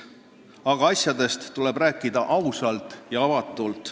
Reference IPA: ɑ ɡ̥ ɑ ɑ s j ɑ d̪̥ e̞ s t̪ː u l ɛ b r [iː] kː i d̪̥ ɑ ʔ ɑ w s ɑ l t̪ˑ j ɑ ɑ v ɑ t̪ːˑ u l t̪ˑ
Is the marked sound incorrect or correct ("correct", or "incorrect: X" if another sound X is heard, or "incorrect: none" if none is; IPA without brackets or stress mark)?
incorrect: æː